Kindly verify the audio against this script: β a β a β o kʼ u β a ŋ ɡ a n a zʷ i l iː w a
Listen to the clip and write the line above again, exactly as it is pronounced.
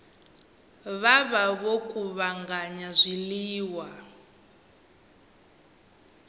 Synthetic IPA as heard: β a β a β o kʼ u β a ŋ ɡ a ɲ a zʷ i l iː w a